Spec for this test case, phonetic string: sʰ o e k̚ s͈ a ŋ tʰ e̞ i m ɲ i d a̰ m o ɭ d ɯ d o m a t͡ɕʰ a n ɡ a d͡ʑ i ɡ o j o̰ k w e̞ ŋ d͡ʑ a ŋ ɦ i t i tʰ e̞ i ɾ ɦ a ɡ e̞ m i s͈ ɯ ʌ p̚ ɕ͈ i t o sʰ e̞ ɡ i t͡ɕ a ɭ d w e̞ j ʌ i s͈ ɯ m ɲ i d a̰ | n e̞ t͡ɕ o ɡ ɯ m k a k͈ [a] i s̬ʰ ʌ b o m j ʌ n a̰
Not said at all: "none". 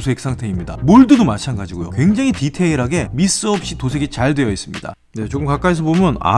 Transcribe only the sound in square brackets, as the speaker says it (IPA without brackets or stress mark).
a